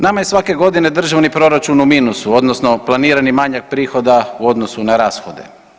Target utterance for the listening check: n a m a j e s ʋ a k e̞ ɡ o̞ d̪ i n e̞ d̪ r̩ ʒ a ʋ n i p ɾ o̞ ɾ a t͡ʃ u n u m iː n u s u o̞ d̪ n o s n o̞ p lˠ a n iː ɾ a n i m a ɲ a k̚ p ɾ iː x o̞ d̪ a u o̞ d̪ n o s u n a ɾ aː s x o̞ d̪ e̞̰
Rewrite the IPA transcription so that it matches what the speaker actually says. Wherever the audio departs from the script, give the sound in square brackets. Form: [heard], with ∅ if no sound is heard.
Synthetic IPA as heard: n a m a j e s ʋ a k e̞ ɡ o̞ d̪ i n e̞ d̪ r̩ ʒ a ʋ n i p ɾ o̞ ɾ a t͡ʃ u n u m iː n u s u o̞ d̪ n o s n o̞ p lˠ a n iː ɾ a n i m a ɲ a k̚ p ɾ iː x o̞ d̪ a u o̞ d̪ n o s u n a ɾ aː s x o̞ d̪ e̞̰